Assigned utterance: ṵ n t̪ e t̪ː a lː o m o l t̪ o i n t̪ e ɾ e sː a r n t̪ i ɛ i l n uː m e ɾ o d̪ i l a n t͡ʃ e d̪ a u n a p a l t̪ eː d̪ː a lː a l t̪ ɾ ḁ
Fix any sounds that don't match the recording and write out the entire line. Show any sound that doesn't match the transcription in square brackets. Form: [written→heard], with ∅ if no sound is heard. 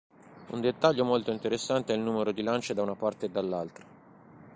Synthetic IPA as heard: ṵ n [t̪→d̪] e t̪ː a [lː→ʎː] o m o l t̪ o i n t̪ e ɾ e sː a [r→∅] n t̪ [i→e] ɛ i l n uː m e ɾ o d̪ i l a n t͡ʃ e d̪ a u n a p a [l→r] t̪ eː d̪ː a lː a l t̪ ɾ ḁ